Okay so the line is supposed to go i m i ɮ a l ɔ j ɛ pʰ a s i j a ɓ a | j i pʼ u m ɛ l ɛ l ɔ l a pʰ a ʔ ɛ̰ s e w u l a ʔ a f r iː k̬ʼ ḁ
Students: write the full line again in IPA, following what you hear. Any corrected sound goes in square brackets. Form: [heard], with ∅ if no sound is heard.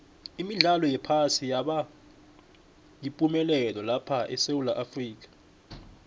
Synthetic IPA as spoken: i m i ɮ a l ɔ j ɛ pʰ a s i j a ɓ a | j i pʼ u m ɛ l ɛ l ɔ l a pʰ a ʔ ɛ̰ s e w u l a ʔ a f r iː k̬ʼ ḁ

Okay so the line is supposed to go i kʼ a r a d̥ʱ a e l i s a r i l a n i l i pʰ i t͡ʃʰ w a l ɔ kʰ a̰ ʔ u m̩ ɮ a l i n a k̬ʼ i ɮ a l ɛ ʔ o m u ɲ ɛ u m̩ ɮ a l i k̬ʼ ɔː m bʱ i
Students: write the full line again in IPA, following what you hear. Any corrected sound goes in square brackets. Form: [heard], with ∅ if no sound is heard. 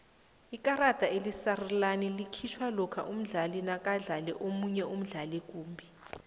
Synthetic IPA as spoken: i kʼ a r a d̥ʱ a e l i s a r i l a n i l i [kʰ] i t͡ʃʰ w a l ɔ kʰ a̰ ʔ u m̩ ɮ a l i n a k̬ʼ [a] ɮ a l ɛ ʔ o m u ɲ ɛ u m̩ ɮ a l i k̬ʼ [uː] m bʱ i

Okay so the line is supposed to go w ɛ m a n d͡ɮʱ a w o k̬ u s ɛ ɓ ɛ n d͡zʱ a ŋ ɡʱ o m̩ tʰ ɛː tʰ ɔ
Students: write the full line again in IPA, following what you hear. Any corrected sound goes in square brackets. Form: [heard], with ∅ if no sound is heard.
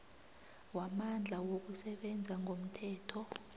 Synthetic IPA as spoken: w [a] m a n d͡ɮʱ a w o k̬ u s ɛ ɓ ɛ n d͡zʱ a ŋ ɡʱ o m̩ tʰ ɛː tʰ ɔ

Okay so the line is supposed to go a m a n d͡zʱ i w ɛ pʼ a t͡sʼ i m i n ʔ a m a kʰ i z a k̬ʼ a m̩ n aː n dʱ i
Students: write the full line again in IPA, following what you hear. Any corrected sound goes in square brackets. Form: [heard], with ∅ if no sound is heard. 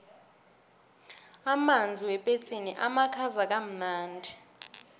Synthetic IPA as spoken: a m a n d͡zʱ i w ɛ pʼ [e] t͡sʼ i [n] i [∅] ʔ a m a kʰ [a] z a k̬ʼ a m̩ n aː n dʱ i

